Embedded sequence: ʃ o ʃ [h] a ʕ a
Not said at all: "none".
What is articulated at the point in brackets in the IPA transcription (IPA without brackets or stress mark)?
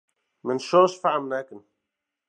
f